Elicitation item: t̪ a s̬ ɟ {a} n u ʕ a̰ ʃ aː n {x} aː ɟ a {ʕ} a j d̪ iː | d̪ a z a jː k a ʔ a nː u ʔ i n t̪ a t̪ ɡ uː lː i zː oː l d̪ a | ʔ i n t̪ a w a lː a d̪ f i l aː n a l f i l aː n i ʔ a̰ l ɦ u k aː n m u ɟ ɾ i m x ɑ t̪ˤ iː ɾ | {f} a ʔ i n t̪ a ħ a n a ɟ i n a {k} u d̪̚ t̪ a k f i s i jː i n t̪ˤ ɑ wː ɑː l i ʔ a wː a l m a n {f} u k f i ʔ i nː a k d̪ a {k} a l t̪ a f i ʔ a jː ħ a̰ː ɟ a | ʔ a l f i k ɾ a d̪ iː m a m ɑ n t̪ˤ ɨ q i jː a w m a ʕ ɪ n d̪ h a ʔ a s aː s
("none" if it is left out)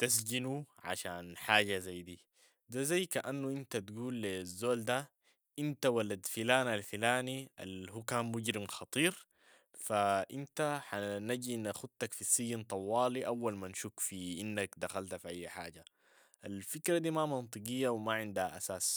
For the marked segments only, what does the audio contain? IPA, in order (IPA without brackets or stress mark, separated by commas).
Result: i, ħ, z, f, x, ʃ, x